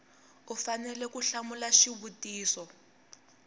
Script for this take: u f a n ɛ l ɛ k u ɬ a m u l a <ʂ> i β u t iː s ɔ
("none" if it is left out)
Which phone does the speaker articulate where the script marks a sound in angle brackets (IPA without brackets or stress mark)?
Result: ʃ